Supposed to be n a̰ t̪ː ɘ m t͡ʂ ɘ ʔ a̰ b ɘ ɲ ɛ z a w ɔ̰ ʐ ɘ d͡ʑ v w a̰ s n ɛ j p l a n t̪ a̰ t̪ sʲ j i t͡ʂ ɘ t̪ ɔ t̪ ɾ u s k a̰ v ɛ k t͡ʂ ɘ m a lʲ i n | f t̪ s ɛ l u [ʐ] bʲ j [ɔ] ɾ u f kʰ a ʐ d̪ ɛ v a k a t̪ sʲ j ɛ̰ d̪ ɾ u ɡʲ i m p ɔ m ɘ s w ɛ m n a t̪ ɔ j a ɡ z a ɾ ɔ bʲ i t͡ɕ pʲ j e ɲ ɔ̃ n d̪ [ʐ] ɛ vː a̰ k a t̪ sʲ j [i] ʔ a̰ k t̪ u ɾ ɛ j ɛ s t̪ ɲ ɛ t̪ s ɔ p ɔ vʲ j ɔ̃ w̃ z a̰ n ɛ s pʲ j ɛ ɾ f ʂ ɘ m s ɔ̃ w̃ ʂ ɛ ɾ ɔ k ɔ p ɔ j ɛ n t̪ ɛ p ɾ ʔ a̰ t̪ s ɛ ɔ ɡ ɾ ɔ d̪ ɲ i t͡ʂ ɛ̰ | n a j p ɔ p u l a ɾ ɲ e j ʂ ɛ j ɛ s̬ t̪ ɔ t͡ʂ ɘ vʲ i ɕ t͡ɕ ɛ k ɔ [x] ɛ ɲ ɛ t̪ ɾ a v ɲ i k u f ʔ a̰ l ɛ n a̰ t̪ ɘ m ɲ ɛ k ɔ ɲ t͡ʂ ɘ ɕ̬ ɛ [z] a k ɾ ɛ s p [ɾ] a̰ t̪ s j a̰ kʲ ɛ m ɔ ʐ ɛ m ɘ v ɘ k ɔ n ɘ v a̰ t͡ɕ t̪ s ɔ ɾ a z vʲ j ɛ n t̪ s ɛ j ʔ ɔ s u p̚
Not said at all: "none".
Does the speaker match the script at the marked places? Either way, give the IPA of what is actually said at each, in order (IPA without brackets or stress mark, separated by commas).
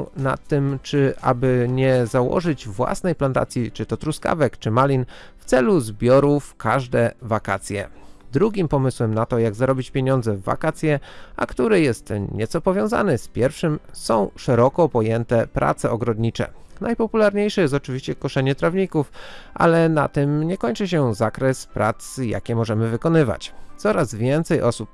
z, ɔ, z, ɛ, ʂ, z, ɾ